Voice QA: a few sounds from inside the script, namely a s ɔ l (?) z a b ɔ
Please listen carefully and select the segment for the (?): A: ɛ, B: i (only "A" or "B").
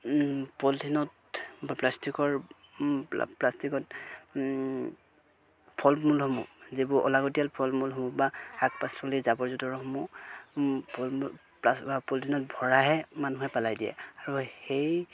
B